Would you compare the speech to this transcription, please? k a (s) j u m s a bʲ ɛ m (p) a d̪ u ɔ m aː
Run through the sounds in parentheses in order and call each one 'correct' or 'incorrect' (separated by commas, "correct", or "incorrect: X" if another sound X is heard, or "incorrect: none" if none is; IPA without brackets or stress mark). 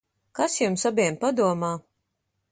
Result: correct, correct